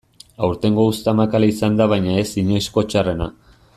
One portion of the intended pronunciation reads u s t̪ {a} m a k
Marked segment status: correct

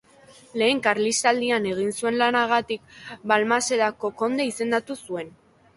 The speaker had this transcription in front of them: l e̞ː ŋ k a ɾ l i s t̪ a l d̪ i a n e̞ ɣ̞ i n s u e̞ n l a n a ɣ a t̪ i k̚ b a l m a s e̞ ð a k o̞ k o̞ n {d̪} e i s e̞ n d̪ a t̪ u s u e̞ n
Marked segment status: correct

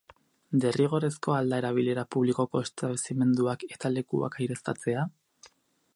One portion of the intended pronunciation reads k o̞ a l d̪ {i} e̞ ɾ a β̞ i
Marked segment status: incorrect: a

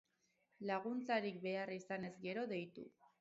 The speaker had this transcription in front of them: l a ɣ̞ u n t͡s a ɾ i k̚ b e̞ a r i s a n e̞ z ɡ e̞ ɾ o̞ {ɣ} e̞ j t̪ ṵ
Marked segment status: incorrect: ð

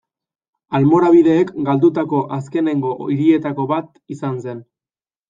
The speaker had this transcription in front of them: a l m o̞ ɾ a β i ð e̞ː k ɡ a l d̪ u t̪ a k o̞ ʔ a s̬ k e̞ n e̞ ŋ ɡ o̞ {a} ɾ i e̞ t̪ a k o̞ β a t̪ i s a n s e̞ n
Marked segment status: incorrect: i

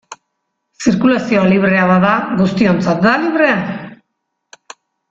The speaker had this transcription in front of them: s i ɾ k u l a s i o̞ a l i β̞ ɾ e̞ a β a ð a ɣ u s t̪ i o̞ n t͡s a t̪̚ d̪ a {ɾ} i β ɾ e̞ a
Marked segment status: incorrect: l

